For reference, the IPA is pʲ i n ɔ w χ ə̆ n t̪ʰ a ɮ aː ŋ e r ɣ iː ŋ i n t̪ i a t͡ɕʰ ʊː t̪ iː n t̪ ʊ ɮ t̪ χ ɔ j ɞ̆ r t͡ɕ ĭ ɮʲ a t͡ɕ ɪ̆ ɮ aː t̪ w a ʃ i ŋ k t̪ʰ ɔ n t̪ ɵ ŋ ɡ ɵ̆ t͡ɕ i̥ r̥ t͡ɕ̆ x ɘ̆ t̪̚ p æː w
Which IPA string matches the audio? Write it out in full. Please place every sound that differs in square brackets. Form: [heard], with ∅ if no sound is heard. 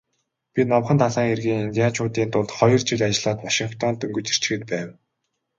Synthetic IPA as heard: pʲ i n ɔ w χ ə̆ n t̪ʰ a ɮ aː ŋ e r ɣ iː ŋ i n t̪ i a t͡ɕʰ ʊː t̪ iː n t̪ ʊ ɮ t̪ χ ɔ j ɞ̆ r t͡ɕ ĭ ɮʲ a t͡ɕ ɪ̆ ɮ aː t̪ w a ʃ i ŋ k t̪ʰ ɔ n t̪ ɵ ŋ ɡ ɵ̆ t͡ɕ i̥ r̥ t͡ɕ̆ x ɘ̆ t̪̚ p æː w